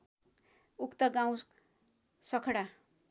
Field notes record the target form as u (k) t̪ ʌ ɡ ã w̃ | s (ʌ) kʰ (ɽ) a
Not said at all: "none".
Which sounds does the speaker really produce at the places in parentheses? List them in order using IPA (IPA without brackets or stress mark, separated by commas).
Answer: k, ʌ, ɽ